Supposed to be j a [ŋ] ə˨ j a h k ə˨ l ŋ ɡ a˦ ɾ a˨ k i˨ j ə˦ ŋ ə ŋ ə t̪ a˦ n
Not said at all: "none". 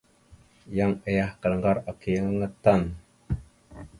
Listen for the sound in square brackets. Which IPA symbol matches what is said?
ŋ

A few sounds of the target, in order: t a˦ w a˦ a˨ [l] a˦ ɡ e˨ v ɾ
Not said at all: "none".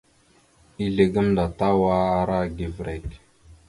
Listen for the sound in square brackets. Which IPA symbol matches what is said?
ɾ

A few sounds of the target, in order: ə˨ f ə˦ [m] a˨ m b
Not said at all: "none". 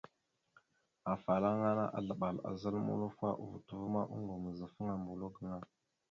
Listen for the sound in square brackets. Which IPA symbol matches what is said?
ŋ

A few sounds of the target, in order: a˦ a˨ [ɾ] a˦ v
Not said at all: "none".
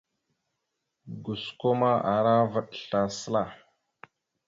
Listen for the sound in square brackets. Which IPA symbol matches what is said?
ɾ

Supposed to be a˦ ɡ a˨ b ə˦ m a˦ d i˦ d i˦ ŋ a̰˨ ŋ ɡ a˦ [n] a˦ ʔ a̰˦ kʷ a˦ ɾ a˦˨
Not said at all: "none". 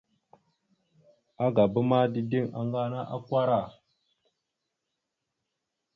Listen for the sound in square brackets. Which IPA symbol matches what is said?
n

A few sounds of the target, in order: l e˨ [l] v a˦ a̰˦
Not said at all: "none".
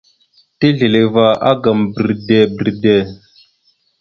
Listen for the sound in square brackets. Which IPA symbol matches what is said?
none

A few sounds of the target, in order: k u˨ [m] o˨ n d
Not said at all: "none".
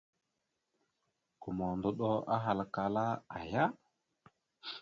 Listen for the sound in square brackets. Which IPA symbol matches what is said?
m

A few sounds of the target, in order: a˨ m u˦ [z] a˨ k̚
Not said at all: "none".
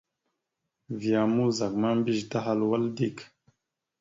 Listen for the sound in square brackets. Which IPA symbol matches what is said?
z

